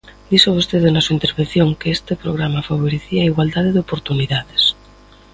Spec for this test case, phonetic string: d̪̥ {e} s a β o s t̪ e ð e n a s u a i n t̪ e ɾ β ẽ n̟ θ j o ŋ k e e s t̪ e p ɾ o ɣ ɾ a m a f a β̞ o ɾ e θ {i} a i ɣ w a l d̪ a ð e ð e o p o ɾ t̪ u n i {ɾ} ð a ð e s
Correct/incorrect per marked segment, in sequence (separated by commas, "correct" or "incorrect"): incorrect, correct, incorrect